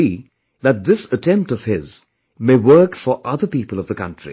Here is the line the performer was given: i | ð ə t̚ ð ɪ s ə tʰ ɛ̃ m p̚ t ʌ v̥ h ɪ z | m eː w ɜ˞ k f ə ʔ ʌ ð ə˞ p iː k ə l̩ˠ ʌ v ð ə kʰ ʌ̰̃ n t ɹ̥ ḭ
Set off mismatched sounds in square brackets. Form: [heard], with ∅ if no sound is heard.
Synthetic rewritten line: i | ð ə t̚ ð ɪ s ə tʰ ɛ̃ m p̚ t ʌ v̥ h ɪ z | m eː w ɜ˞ k f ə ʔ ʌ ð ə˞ p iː [p] ə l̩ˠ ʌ v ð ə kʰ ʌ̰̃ n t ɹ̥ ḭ